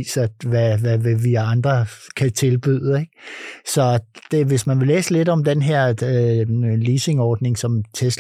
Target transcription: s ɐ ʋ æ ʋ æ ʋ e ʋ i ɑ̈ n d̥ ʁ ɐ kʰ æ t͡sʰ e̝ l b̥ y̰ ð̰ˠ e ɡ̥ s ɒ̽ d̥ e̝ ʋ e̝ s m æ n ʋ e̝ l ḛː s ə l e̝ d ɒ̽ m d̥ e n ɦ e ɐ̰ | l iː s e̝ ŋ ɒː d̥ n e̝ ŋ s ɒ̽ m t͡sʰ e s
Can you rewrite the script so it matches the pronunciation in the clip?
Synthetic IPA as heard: s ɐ ʋ æ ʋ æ ʋ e ʋ i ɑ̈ n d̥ ʁ ɐ kʰ æ t͡sʰ e̝ l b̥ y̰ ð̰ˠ e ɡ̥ s ɒ̽ d̥ e̝ ʋ e̝ s m æ n ʋ e̝ l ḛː s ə l e̝ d ɒ̽ m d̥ e n ɦ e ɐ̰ | l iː s e̝ ŋ ɒː d̥ n e̝ ŋ s ɒ̽ m t͡sʰ e s